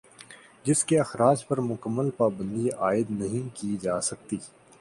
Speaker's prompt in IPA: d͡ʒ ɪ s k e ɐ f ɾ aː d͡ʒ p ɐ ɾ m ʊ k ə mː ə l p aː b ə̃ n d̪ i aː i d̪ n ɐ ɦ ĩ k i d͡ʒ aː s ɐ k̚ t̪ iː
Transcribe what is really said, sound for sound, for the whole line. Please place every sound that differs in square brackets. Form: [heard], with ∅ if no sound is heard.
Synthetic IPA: d͡ʒ ɪ s k e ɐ [x] ɾ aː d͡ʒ p ɐ ɾ m ʊ k ə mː ə l p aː b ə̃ n d̪ i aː [ɪ] d̪ n ɐ ɦ ĩ k i d͡ʒ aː s ɐ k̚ t̪ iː